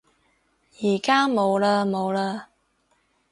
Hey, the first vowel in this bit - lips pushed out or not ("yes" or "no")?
no